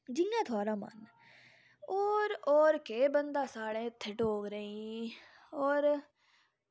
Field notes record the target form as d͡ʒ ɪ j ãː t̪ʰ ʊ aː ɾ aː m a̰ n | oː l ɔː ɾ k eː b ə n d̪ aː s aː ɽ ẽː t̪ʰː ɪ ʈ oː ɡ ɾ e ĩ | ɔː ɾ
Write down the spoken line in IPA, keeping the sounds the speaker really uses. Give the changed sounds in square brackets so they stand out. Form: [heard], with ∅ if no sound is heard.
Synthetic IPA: d͡ʒ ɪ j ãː t̪ʰ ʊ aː ɾ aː m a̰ n | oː [ɾ] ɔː ɾ k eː b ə n d̪ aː s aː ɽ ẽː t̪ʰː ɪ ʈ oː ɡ ɾ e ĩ | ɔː ɾ